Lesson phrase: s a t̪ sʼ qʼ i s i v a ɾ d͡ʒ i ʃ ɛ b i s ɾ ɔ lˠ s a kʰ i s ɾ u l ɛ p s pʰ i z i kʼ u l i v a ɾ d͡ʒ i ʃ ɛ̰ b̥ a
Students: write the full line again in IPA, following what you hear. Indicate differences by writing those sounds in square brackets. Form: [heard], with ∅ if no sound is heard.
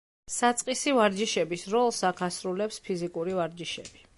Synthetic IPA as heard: s a t̪ sʼ qʼ i s i v a ɾ d͡ʒ i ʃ ɛ b i s ɾ ɔ lˠ s a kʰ [a] s ɾ u l ɛ p s pʰ i z i kʼ u [ɾ] i v a ɾ d͡ʒ i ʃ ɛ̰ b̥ [i]